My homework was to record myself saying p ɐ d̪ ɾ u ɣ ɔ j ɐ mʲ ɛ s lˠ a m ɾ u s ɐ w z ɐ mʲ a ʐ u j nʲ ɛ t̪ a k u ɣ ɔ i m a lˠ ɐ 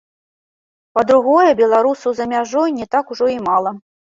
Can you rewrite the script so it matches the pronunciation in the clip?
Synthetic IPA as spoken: p ɐ d̪ ɾ u ɣ ɔ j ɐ bʲ ɛ lˠ a ɾ u s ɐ w z ɐ mʲ a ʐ ɔ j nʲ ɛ t̪ a k u ʐ ɔ i m a lˠ ɐ